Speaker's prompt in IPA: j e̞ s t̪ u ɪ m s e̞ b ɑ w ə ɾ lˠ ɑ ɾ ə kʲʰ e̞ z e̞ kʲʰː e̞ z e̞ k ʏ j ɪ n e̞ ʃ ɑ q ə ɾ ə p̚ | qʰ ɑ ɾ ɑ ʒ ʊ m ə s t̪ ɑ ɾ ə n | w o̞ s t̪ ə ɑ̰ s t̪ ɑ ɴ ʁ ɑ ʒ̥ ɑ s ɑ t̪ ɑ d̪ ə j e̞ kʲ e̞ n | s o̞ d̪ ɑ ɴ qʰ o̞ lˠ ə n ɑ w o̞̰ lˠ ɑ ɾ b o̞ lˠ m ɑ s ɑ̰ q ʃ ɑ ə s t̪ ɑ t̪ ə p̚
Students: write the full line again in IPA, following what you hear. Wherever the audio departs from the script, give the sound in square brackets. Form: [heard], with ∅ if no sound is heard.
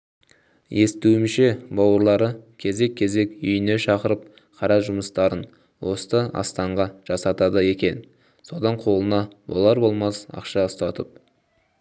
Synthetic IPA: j e̞ s t̪ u ɪ m [ʃ] e̞ b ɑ w ə ɾ lˠ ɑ ɾ ə kʲʰ e̞ z e̞ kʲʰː e̞ z e̞ k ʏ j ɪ n e̞ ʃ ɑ q ə ɾ ə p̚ | qʰ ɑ ɾ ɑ ʒ ʊ m ə s t̪ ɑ ɾ ə n | w o̞ s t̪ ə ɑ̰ s t̪ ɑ ɴ ʁ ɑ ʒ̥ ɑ s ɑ t̪ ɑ d̪ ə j e̞ kʲ e̞ n | s o̞ d̪ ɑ ɴ qʰ o̞ lˠ ə n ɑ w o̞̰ lˠ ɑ ɾ b o̞ lˠ m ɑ s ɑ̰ q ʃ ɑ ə s t̪ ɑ t̪ ə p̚